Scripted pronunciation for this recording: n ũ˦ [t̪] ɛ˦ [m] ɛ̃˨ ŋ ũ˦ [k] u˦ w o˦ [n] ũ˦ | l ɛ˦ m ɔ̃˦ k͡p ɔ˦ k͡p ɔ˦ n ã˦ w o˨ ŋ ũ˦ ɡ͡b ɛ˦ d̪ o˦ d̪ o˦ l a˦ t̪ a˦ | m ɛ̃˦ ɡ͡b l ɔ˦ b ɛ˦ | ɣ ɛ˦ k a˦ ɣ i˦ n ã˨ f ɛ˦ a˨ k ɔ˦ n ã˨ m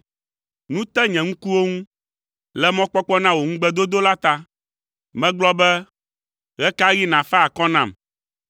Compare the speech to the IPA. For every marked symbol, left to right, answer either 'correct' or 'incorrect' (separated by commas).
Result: correct, incorrect, correct, incorrect